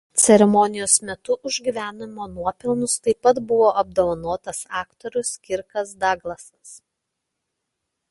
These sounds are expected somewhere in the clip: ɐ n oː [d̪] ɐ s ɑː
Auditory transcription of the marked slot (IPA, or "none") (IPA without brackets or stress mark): t̪